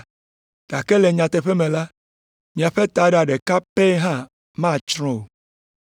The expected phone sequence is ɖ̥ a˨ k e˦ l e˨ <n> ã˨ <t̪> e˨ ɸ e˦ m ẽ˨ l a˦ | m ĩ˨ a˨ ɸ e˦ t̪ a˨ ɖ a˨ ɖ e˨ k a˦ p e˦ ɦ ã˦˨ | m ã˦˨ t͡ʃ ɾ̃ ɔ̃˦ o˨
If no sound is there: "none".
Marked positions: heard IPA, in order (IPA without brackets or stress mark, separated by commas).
ɲ, t̪